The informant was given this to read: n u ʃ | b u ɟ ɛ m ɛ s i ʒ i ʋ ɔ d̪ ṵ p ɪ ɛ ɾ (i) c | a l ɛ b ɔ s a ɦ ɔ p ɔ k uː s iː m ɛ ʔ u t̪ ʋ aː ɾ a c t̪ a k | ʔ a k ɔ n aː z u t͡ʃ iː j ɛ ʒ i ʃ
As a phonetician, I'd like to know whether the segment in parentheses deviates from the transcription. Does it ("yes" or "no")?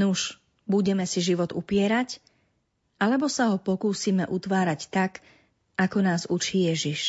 yes